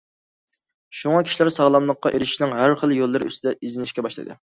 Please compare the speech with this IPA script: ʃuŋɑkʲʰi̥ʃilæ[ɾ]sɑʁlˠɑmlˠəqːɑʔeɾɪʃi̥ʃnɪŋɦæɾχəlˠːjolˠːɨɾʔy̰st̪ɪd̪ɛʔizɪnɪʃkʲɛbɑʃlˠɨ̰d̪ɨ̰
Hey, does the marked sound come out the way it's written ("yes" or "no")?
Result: yes